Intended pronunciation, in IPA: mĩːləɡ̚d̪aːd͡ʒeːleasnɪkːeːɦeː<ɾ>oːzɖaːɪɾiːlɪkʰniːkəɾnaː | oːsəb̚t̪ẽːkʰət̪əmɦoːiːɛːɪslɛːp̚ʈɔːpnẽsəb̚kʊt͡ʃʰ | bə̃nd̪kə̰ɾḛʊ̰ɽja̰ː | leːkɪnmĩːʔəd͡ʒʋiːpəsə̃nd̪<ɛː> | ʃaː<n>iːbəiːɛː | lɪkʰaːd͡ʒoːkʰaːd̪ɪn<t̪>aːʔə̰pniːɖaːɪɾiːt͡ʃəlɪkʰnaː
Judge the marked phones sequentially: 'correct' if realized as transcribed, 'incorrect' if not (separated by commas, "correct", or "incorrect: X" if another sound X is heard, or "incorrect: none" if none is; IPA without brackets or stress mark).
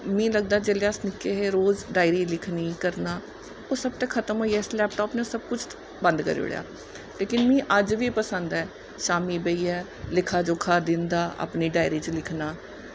correct, correct, incorrect: m, incorrect: d̪